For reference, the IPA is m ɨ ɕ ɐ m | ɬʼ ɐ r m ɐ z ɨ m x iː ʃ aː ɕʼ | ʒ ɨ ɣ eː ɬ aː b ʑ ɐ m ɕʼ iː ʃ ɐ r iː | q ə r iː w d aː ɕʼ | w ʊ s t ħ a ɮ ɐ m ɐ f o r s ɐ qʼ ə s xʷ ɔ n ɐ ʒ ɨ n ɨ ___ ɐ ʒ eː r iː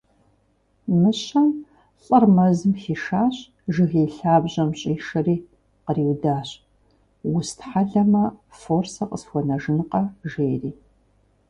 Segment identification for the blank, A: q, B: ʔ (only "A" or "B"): A